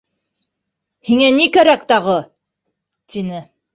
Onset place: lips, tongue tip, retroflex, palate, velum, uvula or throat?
throat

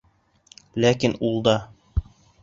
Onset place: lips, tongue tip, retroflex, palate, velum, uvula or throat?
tongue tip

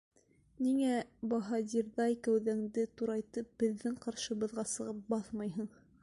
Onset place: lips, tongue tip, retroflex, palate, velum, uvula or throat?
tongue tip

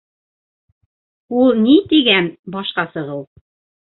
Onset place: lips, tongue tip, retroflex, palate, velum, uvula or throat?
tongue tip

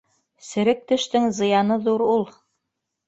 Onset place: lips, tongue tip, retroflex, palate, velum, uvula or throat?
tongue tip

